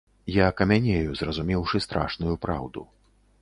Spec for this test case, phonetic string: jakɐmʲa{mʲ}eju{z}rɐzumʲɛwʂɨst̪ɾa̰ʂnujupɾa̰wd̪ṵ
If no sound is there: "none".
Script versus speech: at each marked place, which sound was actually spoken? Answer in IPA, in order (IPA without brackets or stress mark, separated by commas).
nʲ, z